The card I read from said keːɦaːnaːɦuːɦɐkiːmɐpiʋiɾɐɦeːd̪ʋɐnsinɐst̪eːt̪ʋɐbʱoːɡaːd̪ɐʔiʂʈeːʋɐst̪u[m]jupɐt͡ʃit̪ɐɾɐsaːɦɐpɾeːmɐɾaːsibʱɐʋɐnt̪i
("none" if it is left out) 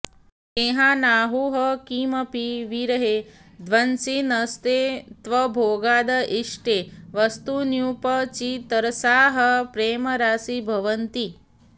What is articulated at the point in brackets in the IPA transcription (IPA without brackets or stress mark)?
n